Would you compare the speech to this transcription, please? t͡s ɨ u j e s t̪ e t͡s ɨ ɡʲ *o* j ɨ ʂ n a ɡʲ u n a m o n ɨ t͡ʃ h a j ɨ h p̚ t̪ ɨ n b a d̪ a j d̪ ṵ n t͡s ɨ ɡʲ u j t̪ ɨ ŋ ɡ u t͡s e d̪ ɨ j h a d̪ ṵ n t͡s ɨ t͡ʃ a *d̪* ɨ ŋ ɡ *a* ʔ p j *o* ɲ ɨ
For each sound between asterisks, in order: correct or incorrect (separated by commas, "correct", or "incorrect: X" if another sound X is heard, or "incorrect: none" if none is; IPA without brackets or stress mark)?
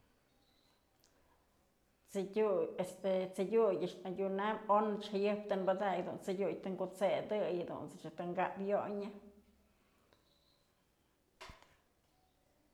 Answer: incorrect: u, incorrect: t̪, correct, correct